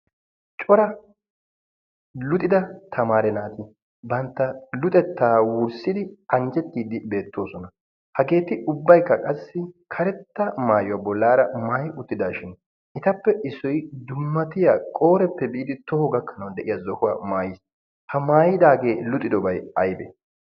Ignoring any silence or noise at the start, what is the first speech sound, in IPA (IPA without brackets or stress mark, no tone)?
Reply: t͡ʃʼ